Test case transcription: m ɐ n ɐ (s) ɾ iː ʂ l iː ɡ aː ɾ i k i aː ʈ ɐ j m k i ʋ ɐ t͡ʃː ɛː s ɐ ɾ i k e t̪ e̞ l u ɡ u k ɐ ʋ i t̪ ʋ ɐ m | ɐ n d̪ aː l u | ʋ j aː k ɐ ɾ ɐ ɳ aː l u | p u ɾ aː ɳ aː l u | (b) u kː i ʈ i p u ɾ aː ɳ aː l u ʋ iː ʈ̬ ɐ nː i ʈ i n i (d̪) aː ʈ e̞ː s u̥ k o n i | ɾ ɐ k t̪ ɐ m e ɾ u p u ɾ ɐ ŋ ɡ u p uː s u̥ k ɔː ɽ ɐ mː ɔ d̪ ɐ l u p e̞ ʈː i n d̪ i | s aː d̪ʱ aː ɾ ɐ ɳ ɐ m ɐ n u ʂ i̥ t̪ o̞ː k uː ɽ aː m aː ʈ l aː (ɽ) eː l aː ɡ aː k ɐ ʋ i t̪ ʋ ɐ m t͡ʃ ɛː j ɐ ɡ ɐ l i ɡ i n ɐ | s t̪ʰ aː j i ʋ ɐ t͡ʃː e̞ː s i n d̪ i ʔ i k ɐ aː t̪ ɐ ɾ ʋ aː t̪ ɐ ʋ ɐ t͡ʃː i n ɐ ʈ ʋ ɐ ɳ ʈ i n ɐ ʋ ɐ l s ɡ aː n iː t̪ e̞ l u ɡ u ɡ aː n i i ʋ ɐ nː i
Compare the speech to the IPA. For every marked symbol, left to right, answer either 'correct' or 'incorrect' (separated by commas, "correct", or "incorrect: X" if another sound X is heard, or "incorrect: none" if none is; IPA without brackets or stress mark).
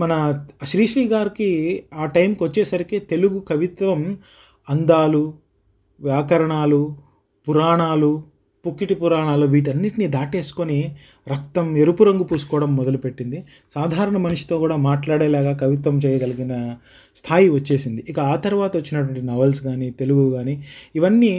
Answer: incorrect: ʃ, incorrect: p, correct, correct